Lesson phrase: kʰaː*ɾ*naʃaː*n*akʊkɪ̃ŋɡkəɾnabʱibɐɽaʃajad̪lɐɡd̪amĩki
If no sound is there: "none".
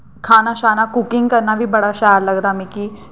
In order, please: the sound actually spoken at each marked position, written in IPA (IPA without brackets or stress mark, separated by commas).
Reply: none, n